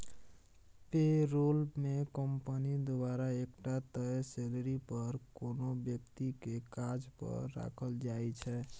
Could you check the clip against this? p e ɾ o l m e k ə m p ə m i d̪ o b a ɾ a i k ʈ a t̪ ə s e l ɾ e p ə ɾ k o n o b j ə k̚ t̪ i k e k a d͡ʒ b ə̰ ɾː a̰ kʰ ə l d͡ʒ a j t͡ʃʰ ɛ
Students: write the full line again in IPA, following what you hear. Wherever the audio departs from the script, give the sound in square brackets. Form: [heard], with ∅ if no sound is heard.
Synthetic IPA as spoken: p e ɾ o l m e k ə m p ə [n] i d̪ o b a ɾ a [e] k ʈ a t̪ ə s e l ɾ [i] p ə ɾ k o n o b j ə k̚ t̪ i k e k a d͡ʒ [p] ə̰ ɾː a̰ kʰ ə l d͡ʒ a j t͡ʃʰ ɛ